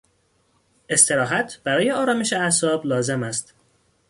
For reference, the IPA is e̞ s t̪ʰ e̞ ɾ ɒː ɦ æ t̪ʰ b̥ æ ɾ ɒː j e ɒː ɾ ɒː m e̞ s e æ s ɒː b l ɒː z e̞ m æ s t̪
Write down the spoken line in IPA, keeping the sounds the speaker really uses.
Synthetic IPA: e̞ s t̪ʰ e̞ ɾ ɒː ɦ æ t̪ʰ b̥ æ ɾ ɒː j e ɒː ɾ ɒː m e̞ ʃ e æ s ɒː b l ɒː z e̞ m æ s t̪